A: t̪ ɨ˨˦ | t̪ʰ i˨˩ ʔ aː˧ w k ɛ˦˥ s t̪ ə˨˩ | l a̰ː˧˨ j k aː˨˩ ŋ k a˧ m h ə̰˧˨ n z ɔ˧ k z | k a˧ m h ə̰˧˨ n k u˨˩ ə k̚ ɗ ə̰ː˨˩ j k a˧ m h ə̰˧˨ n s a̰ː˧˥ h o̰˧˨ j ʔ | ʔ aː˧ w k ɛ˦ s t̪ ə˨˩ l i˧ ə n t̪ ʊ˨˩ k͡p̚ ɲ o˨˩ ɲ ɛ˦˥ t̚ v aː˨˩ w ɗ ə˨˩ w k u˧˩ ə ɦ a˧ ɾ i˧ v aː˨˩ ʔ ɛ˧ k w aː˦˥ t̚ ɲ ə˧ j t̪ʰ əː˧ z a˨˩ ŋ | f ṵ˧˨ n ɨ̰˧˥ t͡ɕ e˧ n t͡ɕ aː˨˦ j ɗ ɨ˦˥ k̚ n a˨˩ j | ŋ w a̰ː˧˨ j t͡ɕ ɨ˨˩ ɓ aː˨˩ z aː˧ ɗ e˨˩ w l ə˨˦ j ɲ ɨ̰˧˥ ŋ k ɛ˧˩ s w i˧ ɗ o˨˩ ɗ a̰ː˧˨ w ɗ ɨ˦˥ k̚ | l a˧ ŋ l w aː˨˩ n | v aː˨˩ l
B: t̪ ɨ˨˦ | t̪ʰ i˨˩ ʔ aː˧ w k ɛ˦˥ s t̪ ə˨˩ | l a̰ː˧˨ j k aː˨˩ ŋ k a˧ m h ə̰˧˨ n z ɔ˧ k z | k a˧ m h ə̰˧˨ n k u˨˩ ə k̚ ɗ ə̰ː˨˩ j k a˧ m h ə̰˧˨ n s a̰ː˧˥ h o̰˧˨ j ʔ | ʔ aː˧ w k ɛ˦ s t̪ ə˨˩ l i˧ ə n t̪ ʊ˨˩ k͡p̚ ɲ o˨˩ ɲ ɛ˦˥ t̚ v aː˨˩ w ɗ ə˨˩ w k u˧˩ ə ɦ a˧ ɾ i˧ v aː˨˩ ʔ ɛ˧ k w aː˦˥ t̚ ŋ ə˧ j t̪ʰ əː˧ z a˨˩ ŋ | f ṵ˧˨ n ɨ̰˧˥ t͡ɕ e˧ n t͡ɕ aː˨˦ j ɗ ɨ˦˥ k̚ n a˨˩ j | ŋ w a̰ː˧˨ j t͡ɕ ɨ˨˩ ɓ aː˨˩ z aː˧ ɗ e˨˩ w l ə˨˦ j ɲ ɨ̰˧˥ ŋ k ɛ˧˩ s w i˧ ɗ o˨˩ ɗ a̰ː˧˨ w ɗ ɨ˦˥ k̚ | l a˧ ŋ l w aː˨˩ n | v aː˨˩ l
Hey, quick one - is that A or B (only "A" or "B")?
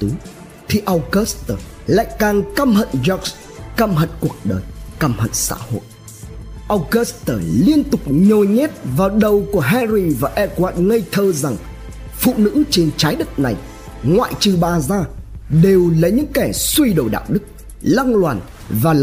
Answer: B